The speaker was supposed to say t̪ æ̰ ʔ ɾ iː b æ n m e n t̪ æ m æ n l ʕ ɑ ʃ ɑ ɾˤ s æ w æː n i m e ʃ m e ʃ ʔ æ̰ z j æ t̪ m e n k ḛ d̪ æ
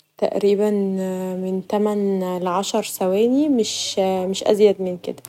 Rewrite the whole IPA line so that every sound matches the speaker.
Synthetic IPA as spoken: t̪ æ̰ ʔ ɾ iː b æ n m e n t̪ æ m æ n l ʕ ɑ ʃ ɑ ɾˤ s æ w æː n i m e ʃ m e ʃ ʔ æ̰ z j æ d̪ m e n k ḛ d̪ æ